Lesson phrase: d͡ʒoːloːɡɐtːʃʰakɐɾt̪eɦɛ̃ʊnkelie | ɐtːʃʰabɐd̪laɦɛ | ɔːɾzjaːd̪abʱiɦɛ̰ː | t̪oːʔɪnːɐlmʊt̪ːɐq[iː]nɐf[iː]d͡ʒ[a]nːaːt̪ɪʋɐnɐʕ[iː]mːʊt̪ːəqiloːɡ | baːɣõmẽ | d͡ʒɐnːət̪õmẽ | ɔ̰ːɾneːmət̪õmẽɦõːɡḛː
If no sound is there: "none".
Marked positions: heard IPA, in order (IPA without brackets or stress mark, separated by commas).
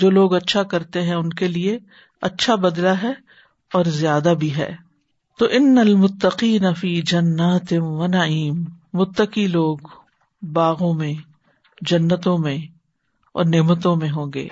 iː, iː, ɐ, iː